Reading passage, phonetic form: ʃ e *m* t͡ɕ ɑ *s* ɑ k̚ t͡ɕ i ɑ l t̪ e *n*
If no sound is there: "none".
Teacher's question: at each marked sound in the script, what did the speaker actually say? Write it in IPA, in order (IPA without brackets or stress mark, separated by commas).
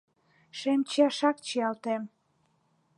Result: m, ʃ, m